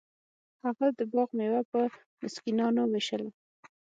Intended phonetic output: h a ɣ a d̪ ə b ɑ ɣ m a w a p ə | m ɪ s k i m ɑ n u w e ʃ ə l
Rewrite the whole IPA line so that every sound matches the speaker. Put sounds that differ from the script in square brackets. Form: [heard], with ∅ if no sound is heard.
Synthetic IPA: h a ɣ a d̪ ə b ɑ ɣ m [e] w a p ə | m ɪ s k i [n] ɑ n [o] w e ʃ ə l